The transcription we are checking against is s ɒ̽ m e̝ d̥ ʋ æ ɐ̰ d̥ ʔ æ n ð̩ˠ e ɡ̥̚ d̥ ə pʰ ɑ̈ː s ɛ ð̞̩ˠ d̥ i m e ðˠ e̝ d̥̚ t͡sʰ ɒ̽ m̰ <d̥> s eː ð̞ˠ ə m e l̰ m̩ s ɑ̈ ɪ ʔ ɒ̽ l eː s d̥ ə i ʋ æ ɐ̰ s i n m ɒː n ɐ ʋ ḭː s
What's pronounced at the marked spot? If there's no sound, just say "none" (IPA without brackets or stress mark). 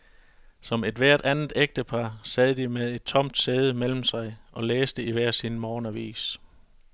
d̥